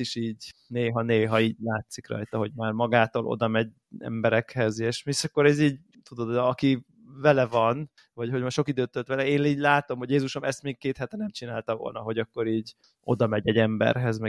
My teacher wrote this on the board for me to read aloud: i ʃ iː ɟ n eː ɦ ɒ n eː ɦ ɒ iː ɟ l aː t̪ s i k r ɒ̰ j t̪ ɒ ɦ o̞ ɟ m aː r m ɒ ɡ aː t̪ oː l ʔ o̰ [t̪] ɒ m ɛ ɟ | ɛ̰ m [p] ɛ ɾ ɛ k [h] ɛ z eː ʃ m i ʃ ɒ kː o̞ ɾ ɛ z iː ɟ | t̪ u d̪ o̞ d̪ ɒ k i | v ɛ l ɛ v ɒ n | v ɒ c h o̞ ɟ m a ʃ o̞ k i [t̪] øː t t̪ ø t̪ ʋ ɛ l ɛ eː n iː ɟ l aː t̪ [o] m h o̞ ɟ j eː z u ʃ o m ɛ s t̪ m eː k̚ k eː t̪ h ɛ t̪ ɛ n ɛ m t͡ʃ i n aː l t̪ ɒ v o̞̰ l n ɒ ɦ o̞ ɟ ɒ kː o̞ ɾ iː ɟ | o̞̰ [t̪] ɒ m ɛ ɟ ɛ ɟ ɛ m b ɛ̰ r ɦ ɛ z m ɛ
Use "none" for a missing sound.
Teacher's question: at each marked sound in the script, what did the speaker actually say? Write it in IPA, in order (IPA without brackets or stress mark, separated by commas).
d̪, b, h, d̪, o, d̪